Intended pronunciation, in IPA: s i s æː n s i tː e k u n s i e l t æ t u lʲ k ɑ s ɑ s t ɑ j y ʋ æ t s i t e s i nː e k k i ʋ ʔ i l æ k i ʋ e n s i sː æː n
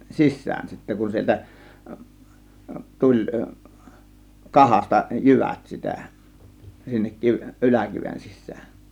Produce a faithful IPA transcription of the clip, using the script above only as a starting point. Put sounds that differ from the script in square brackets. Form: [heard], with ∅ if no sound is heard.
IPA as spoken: s i [sː] æː n s i tː [æ] k u n s i e l t æ t u lʲ k ɑ [h] ɑ s t ɑ j y ʋ æ t s i t [æ] s i nː e k k i ʋ ʔ [y] l æ k i ʋ e n s i sː æː n